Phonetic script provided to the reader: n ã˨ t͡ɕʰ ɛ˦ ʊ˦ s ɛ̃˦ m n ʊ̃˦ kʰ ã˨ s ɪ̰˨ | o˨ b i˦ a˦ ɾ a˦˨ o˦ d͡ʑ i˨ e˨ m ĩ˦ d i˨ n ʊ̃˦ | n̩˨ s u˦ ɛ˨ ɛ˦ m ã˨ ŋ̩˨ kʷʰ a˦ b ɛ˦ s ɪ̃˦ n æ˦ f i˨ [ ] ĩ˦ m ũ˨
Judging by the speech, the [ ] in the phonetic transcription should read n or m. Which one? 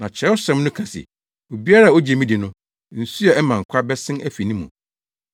n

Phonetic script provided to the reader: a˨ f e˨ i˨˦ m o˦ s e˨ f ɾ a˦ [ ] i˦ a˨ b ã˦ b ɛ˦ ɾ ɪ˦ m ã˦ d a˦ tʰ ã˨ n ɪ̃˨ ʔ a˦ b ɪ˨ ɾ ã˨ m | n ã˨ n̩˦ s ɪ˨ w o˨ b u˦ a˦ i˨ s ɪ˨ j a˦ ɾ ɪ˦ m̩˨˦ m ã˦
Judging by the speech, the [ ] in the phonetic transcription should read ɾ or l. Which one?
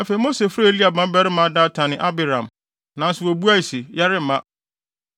l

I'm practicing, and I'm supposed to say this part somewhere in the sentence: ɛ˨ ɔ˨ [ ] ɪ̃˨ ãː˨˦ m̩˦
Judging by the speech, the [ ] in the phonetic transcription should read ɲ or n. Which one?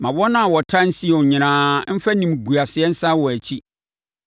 ɲ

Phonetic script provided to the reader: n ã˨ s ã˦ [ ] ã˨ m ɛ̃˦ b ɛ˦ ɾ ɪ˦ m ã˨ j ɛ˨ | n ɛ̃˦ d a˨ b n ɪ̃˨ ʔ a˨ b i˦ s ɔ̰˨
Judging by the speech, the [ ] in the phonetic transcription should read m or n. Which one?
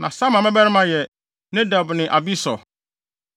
m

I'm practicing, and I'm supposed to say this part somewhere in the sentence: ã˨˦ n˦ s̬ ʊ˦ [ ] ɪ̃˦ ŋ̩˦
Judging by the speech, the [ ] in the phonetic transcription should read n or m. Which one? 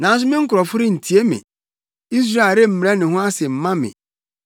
m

